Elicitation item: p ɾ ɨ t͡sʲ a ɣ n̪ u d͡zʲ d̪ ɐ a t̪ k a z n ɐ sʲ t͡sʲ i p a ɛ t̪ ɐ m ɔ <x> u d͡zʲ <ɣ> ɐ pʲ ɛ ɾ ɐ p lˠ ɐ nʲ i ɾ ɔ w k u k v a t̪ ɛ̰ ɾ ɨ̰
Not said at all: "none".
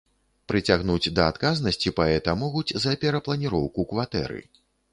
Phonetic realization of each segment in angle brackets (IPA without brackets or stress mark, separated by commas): ɣ, z